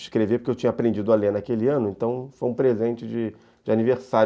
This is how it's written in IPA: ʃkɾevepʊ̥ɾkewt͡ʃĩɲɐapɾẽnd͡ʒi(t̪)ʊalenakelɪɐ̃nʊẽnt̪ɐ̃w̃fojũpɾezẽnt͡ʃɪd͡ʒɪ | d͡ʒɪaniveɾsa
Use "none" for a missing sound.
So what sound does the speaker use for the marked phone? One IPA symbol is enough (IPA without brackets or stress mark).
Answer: d̪